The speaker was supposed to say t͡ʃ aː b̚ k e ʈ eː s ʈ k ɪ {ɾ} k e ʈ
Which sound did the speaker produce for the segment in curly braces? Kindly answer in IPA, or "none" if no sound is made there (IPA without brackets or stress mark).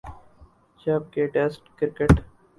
ɾ